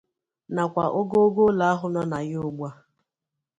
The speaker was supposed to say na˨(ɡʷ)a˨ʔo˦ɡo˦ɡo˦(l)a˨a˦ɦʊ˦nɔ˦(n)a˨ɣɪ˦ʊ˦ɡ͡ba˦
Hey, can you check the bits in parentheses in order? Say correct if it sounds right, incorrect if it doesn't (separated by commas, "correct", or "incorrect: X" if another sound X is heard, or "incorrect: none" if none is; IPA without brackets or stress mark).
incorrect: kʷ, correct, correct